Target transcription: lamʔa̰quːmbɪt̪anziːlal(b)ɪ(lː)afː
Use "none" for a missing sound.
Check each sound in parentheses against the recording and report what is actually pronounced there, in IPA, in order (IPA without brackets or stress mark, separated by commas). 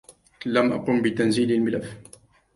m, l